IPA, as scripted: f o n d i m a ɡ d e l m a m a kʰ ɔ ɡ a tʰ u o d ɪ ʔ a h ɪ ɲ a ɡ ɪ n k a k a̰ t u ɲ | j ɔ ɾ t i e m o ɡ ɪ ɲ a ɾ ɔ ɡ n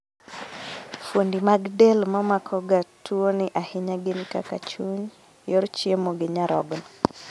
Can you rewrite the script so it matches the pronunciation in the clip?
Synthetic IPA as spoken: f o n d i m a ɡ d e l m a m a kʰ ɔ ɡ a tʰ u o n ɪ ʔ a h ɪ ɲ a ɡ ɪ n k a k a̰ t͡ʃ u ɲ | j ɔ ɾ t͡ʃ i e m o ɡ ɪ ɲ a ɾ ɔ ɡ n

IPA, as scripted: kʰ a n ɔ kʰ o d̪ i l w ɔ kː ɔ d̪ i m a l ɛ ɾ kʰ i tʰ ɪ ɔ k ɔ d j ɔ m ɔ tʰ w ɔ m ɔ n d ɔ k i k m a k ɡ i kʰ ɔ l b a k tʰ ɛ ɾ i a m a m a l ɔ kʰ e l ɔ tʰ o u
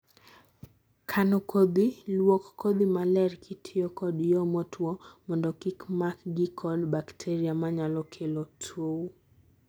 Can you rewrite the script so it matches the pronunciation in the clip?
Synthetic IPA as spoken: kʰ a n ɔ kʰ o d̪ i l w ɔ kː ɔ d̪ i m a l ɛ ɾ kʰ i tʰ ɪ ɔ k ɔ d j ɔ m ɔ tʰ w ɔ m ɔ n d ɔ k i k m a k ɡ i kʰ ɔ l b a k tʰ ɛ ɾ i a m a ɲ a l ɔ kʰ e l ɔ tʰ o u

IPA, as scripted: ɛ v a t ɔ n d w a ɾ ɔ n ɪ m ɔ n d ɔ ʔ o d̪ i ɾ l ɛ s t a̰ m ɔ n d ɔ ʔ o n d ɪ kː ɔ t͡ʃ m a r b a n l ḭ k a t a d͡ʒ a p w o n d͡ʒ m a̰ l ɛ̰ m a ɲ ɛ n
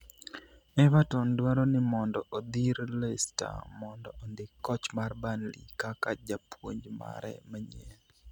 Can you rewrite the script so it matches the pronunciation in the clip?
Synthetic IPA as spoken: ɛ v a t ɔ n d w a ɾ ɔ n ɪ m ɔ n d ɔ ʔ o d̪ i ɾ l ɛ s t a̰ m ɔ n d ɔ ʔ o n d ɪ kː ɔ t͡ʃ m a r b a n l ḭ k a k a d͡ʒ a p w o ɲ d͡ʒ m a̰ ɾ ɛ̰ m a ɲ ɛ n

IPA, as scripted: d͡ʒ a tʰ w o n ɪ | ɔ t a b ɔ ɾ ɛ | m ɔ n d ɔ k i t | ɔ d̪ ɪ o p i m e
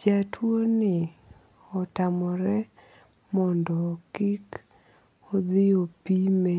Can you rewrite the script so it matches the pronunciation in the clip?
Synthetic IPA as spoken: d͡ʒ a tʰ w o n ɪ | ɔ t a m ɔ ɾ ɛ | m ɔ n d ɔ k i k | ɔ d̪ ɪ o p i m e

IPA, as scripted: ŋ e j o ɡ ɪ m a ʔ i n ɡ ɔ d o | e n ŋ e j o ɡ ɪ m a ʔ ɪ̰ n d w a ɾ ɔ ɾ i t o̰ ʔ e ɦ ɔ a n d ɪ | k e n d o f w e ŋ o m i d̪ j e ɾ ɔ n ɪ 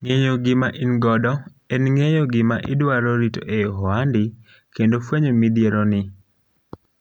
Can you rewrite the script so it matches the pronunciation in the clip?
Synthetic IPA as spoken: ŋ e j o ɡ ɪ m a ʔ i n ɡ ɔ d ɔ | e n ŋ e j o ɡ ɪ m a ʔ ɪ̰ d w a ɾ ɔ ɾ i t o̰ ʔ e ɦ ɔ a n d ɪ | k e n d o f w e ɲ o m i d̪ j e ɾ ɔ n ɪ

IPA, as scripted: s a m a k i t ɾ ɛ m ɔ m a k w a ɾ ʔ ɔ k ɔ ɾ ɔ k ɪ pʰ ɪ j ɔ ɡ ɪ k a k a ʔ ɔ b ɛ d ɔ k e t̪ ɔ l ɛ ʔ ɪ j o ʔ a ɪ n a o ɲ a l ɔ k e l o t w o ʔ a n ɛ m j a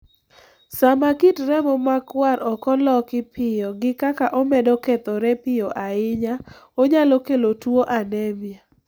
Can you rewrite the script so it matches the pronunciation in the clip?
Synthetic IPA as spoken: s a m a k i t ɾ ɛ m ɔ m a k w a ɾ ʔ ɔ k ɔ l ɔ k ɪ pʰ ɪ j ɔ ɡ ɪ k a k a ʔ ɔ m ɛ d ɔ k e t̪ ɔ ɾ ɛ p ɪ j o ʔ a ɪ ɲ a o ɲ a l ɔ k e l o t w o ʔ a n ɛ m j a

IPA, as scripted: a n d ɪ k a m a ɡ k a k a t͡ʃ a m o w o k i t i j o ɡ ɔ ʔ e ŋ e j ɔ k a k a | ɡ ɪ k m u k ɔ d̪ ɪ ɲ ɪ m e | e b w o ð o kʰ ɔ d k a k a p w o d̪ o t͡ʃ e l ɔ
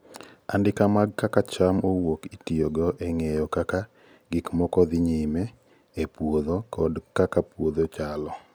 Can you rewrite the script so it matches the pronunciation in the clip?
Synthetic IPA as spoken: a n d ɪ k a m a ɡ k a k a t͡ʃ a m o w o k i t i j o ɡ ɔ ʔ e ŋ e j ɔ k a k a | ɡ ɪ k m ɔ k ɔ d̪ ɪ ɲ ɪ m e | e p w o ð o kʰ ɔ d k a k a p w o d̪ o t͡ʃ a l ɔ

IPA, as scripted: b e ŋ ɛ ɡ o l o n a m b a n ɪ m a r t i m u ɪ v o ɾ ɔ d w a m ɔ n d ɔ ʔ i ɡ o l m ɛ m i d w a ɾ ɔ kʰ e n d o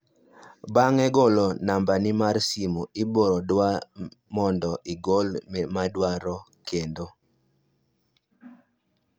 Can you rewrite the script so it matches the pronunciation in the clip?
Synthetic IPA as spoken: b a ŋ ɛ ɡ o l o n a m b a n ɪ m a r s i m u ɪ b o ɾ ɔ d w a m ɔ n d ɔ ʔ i ɡ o l m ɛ m a d w a ɾ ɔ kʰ e n d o

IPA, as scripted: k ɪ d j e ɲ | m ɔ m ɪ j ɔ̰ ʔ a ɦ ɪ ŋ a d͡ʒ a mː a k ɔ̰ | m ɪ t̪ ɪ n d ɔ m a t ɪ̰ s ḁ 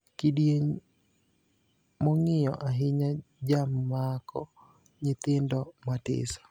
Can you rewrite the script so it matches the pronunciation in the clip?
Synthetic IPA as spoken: k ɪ d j e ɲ | m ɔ ŋ ɪ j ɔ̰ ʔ a ɦ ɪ ɲ a d͡ʒ a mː a k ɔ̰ | ɲ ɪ t̪ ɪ n d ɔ m a t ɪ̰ s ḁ

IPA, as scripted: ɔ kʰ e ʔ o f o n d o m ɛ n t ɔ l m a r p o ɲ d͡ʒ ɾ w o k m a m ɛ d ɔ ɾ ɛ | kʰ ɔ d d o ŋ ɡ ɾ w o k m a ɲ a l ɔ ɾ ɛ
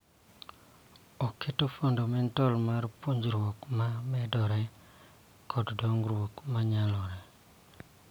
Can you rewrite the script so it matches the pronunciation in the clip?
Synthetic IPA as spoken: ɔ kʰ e t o f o n d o m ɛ n t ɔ l m a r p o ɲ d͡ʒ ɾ w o k m a m ɛ d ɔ ɾ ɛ | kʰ ɔ d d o ŋ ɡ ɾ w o k m a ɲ a l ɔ ɾ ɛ

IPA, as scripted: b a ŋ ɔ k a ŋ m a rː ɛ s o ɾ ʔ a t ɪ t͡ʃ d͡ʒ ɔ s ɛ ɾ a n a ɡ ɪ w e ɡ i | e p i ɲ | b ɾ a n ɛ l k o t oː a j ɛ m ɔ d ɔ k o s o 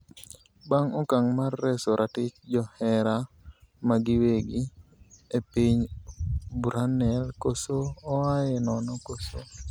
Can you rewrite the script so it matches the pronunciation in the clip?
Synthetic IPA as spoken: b a ŋ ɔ k a ŋ m a rː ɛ s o ɾ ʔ a t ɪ t͡ʃ d͡ʒ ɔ h ɛ ɾ a m a ɡ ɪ w e ɡ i | e p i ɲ | b ɾ a n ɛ l k o s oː a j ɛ n ɔ n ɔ k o s o

